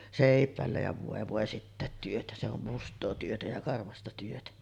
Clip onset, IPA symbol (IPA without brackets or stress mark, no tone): s